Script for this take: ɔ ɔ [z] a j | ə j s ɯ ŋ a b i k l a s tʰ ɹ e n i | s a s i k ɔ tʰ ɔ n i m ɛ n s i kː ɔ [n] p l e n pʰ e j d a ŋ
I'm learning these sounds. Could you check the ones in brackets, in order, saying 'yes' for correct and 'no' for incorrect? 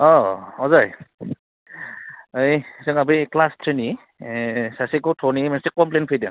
yes, no

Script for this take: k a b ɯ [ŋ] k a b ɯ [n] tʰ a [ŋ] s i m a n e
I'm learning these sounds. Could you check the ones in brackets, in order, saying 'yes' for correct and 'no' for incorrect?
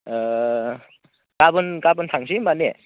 no, yes, yes

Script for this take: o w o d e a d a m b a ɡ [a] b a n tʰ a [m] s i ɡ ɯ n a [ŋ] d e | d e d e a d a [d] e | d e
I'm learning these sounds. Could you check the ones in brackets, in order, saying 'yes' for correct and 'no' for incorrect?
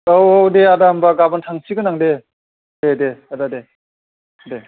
yes, no, yes, yes

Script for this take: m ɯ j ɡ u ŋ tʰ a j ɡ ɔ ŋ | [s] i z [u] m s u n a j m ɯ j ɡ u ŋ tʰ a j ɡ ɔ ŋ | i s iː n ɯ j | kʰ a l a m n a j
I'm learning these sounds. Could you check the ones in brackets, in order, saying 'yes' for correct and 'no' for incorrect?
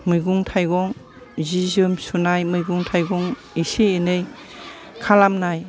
no, no

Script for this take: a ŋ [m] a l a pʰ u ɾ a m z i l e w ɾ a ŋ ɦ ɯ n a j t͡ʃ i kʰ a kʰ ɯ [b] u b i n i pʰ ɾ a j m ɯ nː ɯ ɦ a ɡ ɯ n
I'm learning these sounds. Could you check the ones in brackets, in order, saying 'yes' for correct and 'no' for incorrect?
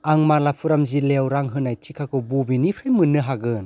yes, yes

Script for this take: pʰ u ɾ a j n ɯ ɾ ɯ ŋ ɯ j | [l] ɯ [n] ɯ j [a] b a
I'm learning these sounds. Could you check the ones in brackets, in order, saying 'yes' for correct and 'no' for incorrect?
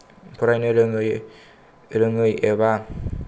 no, no, no

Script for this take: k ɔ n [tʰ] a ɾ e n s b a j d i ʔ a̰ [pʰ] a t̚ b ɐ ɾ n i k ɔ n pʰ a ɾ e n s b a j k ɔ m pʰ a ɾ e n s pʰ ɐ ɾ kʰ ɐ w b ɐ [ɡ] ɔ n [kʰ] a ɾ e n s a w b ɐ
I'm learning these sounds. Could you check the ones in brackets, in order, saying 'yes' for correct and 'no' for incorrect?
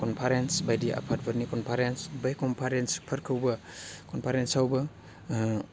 no, yes, no, no

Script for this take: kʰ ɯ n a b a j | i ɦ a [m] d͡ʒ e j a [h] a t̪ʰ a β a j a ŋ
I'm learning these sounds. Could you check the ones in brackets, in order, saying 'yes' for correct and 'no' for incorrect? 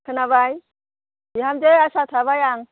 yes, no

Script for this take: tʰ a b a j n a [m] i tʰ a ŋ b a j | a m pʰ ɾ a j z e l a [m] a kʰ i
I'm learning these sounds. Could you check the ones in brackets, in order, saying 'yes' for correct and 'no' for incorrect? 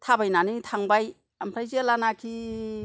no, no

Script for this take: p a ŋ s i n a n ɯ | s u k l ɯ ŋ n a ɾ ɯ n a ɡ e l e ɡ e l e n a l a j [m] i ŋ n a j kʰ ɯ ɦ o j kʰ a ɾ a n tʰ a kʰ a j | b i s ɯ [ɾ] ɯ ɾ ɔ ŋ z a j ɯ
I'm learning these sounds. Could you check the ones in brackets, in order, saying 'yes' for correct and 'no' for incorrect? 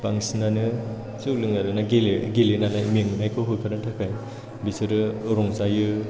yes, yes

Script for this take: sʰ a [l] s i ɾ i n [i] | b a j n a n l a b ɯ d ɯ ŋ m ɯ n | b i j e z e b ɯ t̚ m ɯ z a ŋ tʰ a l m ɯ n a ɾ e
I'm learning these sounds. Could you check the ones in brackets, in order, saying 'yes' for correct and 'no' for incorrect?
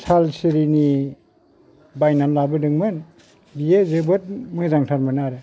yes, yes

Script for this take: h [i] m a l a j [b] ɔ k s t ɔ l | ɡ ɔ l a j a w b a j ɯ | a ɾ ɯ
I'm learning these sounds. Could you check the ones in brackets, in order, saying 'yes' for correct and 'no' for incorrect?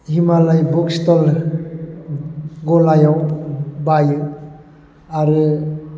yes, yes

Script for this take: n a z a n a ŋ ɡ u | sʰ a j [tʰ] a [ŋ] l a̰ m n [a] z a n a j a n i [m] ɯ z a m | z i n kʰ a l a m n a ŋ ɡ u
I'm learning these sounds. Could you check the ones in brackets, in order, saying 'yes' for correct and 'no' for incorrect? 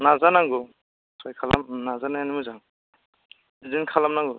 no, no, yes, yes

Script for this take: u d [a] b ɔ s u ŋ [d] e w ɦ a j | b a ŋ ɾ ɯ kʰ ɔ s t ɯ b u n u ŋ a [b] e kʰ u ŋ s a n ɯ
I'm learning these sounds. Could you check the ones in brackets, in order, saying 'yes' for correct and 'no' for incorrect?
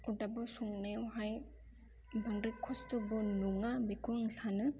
yes, no, yes

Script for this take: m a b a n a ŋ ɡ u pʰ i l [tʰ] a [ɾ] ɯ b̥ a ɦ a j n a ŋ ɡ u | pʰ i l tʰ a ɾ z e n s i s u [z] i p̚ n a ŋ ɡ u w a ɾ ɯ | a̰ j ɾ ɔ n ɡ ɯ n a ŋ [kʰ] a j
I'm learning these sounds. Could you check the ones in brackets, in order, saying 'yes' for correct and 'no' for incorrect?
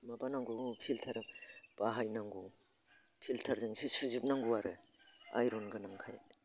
yes, yes, yes, yes

